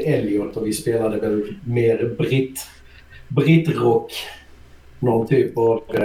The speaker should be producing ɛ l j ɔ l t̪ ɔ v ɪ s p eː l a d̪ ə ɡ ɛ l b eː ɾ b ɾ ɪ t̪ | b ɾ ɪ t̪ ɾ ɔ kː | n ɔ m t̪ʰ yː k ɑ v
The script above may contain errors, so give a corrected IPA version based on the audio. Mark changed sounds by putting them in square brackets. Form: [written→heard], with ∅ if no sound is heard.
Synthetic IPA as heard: ɛ l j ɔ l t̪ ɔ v ɪ s p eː l a d̪ ə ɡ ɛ l [b→m] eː ɾ b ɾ ɪ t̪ | b ɾ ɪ t̪ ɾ ɔ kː | n ɔ [m→n] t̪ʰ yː [k→p] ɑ v